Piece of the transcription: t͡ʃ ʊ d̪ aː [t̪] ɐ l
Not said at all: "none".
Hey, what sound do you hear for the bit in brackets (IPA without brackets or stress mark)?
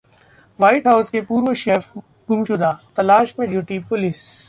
t̪